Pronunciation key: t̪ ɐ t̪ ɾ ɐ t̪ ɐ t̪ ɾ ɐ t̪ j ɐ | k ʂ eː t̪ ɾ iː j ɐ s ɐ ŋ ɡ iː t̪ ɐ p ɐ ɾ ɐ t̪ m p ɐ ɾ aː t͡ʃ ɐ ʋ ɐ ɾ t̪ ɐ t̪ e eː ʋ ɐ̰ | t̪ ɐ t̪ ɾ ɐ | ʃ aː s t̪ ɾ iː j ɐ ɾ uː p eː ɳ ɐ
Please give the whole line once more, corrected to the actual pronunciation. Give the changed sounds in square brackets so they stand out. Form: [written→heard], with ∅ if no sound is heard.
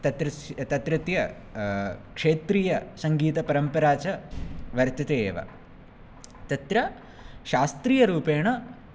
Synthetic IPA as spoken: t̪ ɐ t̪ ɾ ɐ t̪ ɐ t̪ ɾ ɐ t̪ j ɐ | k ʂ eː t̪ ɾ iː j ɐ s ɐ ŋ ɡ iː t̪ ɐ p ɐ ɾ ɐ [t̪→∅] m p ɐ ɾ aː t͡ʃ ɐ ʋ ɐ ɾ t̪ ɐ t̪ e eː ʋ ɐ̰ | t̪ ɐ t̪ ɾ ɐ | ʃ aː s t̪ ɾ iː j ɐ ɾ uː p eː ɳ ɐ